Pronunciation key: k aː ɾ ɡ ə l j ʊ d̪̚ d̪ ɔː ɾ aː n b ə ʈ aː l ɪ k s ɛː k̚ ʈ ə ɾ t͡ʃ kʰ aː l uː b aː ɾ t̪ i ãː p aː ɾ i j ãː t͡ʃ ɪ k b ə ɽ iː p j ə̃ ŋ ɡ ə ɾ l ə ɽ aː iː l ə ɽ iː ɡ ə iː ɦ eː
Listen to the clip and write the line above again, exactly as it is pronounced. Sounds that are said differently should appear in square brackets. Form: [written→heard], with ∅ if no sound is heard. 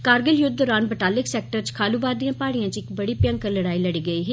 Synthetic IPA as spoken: k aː ɾ ɡ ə l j ʊ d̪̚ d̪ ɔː ɾ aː n b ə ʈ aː l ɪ k s ɛː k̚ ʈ ə ɾ t͡ʃ kʰ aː l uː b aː ɾ [t̪→d̪] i ãː p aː [ɾ→ɽ] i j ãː t͡ʃ ɪ k b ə ɽ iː p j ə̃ ŋ [ɡ→k] ə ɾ l ə ɽ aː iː l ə ɽ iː ɡ ə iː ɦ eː